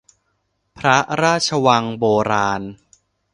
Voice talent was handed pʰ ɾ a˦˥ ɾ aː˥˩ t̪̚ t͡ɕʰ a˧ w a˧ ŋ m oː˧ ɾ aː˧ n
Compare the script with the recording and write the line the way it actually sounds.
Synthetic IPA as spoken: pʰ ɾ a˦˥ ɾ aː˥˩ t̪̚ t͡ɕʰ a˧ w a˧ ŋ b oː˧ ɾ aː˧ n